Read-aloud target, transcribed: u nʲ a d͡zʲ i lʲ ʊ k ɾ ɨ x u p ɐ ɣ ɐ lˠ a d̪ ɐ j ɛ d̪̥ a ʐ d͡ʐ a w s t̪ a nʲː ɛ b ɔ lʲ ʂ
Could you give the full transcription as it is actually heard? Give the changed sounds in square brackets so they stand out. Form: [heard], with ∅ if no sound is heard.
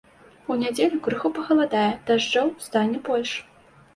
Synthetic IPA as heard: u nʲ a d͡zʲ [e] lʲ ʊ k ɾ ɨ x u p ɐ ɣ ɐ lˠ a d̪ [a] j ɛ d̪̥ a ʐ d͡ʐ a w s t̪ a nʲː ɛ b ɔ lʲ ʂ